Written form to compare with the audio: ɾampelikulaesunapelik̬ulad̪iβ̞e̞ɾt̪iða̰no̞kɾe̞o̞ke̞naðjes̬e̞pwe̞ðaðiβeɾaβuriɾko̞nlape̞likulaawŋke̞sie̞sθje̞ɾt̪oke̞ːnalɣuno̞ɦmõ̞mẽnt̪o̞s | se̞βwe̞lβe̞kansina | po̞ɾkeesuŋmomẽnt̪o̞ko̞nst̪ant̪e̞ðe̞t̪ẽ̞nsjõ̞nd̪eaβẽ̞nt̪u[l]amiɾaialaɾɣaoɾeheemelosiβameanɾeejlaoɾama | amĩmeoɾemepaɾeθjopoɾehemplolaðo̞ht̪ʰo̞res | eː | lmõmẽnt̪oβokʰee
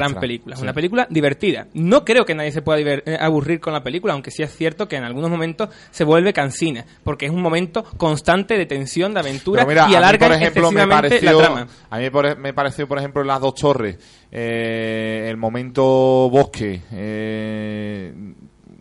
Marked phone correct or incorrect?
incorrect